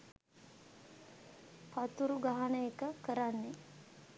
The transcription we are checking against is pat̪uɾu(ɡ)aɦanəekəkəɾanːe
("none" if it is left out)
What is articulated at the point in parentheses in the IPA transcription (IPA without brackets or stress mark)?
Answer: ɡ